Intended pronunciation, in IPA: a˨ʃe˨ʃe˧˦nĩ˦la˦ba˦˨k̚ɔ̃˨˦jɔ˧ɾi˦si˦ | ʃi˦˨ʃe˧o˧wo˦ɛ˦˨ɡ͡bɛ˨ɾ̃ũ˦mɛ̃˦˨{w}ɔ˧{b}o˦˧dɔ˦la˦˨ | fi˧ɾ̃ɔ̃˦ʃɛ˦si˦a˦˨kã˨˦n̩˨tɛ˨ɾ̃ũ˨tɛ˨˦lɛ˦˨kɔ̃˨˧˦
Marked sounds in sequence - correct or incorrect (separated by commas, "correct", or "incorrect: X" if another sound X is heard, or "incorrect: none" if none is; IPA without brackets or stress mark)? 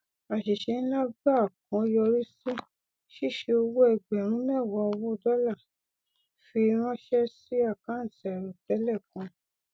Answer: correct, incorrect: w